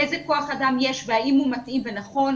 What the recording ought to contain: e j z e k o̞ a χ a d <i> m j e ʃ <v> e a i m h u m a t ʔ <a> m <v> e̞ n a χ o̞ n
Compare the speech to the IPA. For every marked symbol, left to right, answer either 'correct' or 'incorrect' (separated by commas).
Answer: incorrect, correct, incorrect, correct